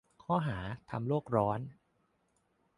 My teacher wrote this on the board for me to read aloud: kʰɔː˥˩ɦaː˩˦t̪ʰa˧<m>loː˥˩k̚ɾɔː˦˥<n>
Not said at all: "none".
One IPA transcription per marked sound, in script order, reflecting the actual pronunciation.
m, n

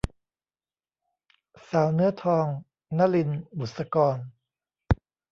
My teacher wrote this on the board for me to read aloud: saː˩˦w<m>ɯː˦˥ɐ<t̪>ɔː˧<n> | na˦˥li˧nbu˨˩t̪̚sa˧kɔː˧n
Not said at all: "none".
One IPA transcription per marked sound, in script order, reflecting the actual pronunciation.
n, t̪ʰ, ŋ

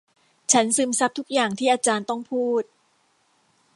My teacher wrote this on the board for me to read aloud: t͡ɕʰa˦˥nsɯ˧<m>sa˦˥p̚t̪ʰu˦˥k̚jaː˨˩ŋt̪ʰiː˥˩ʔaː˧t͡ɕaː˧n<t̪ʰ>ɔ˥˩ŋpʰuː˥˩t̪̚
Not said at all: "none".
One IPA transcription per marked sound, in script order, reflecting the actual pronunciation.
m, t̪

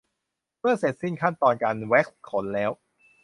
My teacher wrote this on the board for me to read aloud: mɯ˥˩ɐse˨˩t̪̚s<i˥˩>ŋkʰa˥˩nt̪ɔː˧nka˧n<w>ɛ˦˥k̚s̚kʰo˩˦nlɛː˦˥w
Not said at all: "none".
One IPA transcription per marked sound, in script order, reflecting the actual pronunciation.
i˥˩, w

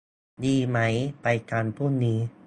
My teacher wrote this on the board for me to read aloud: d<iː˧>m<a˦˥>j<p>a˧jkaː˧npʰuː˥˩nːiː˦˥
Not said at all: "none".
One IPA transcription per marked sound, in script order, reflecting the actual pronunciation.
iː˧, a˦˥, p

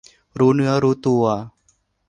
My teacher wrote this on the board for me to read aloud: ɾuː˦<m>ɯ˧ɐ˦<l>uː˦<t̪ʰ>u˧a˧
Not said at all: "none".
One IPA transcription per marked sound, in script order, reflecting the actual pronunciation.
n, ɾ, t̪

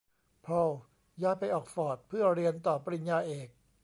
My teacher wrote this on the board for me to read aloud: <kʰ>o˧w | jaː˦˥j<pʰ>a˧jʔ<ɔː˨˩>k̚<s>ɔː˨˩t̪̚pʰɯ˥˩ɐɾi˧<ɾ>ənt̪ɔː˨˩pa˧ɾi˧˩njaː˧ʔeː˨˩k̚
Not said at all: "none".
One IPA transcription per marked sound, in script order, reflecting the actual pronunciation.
pʰ, p, ɔː˨˩, f, none

